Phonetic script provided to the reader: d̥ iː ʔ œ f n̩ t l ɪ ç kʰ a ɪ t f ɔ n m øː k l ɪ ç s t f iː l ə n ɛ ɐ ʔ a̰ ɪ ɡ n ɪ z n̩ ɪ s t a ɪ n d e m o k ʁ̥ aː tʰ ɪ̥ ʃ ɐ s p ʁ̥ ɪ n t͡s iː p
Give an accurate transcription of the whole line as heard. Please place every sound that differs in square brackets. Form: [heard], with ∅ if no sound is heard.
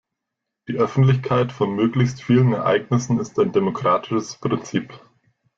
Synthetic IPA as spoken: d̥ iː ʔ œ f n̩ t l ɪ ç kʰ a ɪ t f ɔ n m øː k l ɪ ç s t f iː l ə n ɛ ɐ ʔ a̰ ɪ ɡ n ɪ [s] n̩ ɪ s t a ɪ n d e m o k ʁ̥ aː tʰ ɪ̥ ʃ [ə] s p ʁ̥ ɪ n t͡s iː p